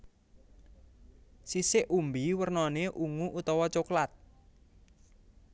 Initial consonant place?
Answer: alveolar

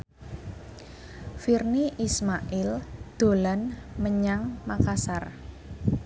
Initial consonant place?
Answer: labial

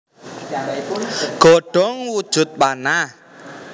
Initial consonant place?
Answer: velar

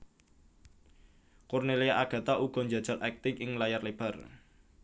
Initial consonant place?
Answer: velar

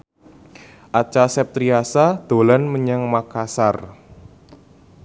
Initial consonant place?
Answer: glottal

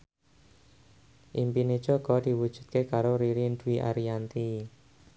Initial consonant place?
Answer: glottal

